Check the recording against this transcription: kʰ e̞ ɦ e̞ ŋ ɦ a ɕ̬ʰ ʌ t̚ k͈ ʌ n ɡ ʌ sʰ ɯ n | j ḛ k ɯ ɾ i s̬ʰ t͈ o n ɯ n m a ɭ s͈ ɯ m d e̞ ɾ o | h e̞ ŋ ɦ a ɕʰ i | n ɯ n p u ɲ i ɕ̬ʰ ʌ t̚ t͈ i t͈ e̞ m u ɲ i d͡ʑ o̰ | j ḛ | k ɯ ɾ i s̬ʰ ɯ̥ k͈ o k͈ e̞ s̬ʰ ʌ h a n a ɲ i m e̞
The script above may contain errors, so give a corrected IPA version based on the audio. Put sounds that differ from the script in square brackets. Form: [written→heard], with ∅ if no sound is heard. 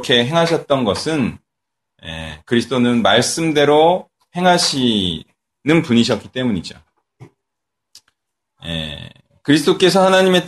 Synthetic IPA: kʰ e̞ ɦ e̞ ŋ ɦ a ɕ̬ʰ ʌ t̚ [k͈→t͈] ʌ n ɡ ʌ sʰ ɯ n | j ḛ k ɯ ɾ i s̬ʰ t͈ o n ɯ n m a ɭ s͈ ɯ m d e̞ ɾ o | h e̞ ŋ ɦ a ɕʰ i | n ɯ n p u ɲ i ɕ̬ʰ ʌ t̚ [t͈→k͈] i t͈ e̞ m u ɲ i d͡ʑ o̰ | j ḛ | k ɯ ɾ i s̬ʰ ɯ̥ [k͈→t͈] o k͈ e̞ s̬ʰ ʌ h a n a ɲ i m e̞